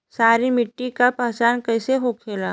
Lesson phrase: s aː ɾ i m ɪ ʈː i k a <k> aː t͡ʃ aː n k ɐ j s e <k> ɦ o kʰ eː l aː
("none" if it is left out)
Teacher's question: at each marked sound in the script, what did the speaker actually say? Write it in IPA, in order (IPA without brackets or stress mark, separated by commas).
p, none